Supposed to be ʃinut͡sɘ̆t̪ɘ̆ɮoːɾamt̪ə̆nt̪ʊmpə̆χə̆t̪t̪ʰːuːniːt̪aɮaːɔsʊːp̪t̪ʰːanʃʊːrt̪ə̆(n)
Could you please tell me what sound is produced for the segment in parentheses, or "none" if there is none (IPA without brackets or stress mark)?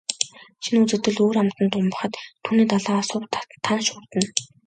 n